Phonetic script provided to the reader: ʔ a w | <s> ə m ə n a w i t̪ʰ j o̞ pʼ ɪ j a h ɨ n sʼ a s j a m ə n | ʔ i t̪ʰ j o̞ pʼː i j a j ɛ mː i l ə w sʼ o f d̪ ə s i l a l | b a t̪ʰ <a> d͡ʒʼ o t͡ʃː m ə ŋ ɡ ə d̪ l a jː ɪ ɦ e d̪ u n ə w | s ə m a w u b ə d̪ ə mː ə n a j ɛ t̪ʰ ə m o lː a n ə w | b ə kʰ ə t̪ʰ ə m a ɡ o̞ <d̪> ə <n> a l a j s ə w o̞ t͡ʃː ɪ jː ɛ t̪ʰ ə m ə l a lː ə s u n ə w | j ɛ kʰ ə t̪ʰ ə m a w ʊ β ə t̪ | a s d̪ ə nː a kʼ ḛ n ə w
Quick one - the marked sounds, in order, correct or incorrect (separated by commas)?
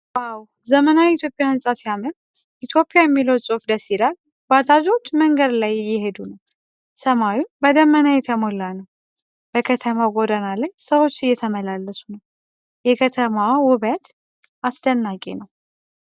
incorrect, correct, correct, correct